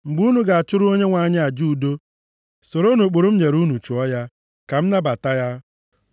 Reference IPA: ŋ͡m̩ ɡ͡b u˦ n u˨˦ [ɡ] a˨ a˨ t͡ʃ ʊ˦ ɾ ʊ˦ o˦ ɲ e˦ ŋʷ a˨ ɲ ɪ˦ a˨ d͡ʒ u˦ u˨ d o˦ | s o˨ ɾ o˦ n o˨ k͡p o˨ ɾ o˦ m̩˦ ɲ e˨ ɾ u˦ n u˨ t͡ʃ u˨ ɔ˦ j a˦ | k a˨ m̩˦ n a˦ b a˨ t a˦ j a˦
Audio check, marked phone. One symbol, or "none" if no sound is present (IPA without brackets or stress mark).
ɡ